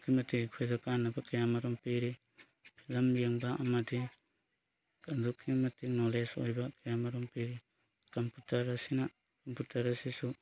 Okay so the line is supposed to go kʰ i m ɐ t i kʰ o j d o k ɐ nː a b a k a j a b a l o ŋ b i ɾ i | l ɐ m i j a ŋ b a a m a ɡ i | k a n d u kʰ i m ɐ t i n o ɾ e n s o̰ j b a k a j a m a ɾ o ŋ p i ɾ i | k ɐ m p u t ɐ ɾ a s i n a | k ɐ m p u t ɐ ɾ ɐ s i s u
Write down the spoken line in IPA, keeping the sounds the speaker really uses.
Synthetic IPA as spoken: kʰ i m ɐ t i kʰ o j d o k a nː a b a k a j a m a ɾ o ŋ p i ɾ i | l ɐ m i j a ŋ b a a m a d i | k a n d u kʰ i m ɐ t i n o l e s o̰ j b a k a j a m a ɾ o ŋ p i ɾ i | k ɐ m p u t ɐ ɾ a s i n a | k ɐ m p u t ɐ ɾ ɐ s i s u